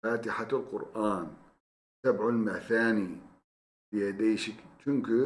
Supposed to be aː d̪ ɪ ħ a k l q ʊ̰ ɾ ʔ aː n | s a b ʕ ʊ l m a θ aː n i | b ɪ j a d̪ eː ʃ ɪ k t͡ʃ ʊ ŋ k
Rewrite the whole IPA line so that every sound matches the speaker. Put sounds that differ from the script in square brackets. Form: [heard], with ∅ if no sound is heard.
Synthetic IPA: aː [t̪] ɪ ħ a [∅] l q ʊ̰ ɾ ʔ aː n | s a b ʕ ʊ l m a θ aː n i | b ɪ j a d̪ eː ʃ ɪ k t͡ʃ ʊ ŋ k